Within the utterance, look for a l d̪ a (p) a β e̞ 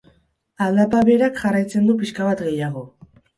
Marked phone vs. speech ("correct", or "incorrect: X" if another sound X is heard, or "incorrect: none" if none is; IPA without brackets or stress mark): correct